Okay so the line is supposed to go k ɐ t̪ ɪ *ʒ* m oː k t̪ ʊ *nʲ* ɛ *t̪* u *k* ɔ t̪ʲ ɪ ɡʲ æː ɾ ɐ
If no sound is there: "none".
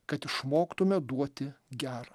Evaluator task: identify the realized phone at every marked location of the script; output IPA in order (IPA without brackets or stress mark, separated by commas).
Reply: ʃ, mʲ, d̪, none